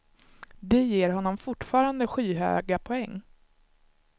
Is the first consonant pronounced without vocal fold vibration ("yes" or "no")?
no